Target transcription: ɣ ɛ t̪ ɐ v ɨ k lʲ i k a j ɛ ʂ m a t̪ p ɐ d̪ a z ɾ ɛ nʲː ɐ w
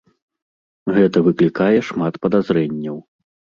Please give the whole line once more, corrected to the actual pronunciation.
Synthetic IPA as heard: ɣ ɛ t̪ ɐ v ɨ k lʲ i k a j ɛ ʂ m a t̪ p ɐ d̪ a z ɾ ɛ nʲː ɐ w